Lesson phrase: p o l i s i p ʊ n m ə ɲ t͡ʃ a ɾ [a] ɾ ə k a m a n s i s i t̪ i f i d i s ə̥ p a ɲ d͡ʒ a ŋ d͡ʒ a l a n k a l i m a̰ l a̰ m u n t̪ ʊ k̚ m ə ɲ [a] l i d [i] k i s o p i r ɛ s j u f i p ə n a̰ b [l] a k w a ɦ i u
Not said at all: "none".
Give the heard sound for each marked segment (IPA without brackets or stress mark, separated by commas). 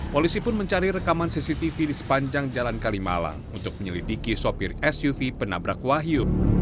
i, ə, i, ɾ